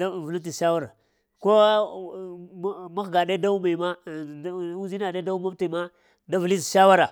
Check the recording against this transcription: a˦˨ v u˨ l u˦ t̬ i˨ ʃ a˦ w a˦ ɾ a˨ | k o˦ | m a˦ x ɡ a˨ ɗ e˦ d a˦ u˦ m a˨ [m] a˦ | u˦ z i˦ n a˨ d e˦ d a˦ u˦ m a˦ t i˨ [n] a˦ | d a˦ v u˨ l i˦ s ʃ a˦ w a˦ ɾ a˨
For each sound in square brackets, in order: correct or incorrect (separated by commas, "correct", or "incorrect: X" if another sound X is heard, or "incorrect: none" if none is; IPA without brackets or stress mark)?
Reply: correct, incorrect: m